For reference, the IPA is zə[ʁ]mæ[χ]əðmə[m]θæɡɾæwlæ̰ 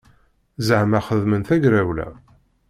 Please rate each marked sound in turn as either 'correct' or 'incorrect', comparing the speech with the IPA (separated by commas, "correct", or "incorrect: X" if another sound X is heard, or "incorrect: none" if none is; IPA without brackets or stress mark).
incorrect: ʕ, correct, incorrect: n